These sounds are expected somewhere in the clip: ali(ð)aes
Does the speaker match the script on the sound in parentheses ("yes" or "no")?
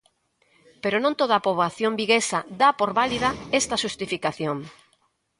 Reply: yes